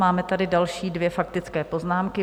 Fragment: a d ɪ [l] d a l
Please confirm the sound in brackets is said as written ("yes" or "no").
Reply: no